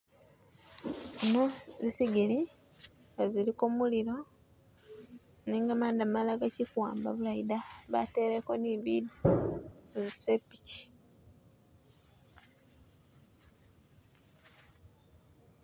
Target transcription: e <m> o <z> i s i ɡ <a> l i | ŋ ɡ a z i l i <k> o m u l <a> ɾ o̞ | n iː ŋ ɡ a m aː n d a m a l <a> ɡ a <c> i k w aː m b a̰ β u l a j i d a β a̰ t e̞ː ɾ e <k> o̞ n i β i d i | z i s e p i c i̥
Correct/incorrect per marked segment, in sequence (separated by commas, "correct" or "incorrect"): incorrect, correct, incorrect, correct, incorrect, correct, correct, correct